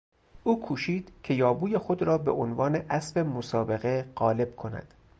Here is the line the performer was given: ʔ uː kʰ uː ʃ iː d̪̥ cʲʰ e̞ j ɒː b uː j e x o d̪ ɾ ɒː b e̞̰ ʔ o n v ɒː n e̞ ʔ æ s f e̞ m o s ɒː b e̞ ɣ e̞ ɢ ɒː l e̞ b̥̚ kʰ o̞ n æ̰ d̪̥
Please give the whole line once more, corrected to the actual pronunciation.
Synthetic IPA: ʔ uː kʰ uː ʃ iː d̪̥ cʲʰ e̞ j ɒː b uː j e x o d̪ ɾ ɒː b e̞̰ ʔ o n v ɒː n e̞ ʔ æ s f e̞ m o s ɒː b e̞ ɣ e̞ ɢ ɒː l e̞ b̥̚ kʰ o̞ n æ̰ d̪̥